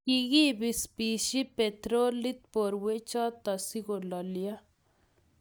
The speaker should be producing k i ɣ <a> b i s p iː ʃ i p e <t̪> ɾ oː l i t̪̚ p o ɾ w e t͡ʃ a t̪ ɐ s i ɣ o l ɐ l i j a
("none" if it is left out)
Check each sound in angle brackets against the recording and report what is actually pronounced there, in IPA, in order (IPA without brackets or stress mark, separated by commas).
i, t̪